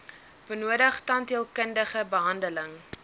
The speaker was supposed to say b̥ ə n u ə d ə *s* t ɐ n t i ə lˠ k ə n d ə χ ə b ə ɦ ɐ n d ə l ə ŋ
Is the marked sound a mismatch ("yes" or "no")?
yes